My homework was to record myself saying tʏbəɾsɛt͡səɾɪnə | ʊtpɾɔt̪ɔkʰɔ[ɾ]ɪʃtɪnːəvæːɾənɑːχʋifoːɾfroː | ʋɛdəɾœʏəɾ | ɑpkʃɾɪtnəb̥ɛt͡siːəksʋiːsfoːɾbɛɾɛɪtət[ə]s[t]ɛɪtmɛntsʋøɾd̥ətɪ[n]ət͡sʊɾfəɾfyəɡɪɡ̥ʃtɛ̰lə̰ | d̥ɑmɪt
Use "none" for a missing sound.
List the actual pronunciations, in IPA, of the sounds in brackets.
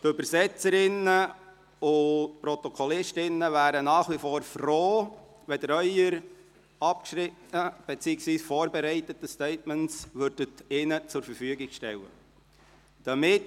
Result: l, ə, t, n

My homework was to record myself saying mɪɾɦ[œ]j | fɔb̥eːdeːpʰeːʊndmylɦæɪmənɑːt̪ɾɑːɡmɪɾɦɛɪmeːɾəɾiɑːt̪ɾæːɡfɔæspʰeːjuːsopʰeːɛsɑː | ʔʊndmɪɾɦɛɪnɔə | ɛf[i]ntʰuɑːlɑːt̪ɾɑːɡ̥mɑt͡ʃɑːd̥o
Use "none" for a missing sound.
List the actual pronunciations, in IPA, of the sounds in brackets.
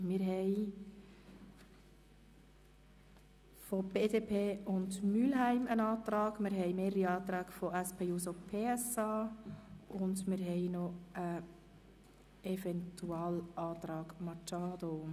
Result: ɛ, ɛ

